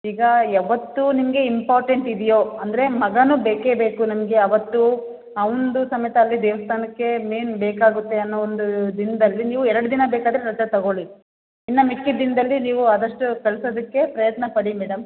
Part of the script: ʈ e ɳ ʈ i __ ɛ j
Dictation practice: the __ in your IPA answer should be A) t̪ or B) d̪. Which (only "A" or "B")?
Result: B